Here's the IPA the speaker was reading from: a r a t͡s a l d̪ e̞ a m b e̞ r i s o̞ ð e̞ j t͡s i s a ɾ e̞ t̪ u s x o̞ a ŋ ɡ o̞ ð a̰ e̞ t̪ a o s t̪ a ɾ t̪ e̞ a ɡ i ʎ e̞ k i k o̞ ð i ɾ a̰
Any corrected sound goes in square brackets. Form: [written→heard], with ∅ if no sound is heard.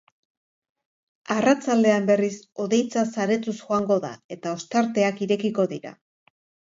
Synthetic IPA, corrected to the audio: a r a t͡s a l d̪ e̞ a m b e̞ r i s o̞ ð e̞ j t͡s [i→a] s a ɾ e̞ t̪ u s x o̞ a ŋ ɡ o̞ ð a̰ e̞ t̪ a o s t̪ a ɾ t̪ e̞ a [ɡ→k] i [ʎ→ɾ] e̞ k i k o̞ ð i ɾ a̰